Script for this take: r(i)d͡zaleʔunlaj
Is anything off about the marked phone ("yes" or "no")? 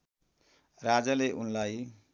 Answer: yes